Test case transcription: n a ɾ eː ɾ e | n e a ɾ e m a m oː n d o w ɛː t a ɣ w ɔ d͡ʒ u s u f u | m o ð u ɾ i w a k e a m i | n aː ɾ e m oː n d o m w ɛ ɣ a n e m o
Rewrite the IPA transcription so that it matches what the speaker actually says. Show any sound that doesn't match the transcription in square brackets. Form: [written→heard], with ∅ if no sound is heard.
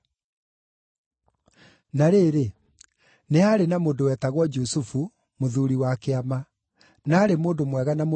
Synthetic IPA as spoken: n a ɾ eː ɾ e | n e a ɾ e [m→n] a m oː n d o w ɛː t a ɣ w ɔ d͡ʒ u s u f u | m o ð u ɾ i w a k e a m [i→a] | n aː ɾ e m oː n d o m w ɛ ɣ a n [e→a] m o